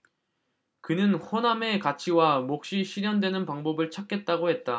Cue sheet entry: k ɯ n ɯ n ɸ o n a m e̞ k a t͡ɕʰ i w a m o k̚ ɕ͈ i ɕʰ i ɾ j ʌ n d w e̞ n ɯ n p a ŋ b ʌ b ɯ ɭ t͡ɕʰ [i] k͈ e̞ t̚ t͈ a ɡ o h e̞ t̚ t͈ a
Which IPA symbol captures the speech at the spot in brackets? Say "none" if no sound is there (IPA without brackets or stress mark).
a